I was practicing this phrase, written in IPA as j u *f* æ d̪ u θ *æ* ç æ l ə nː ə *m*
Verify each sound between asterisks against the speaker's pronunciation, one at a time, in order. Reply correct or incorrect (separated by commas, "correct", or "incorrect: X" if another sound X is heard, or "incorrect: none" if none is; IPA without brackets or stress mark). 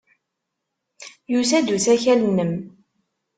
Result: incorrect: s, correct, correct